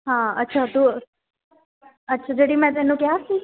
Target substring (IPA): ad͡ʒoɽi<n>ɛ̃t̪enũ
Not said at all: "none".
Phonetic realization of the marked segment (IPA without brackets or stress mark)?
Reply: m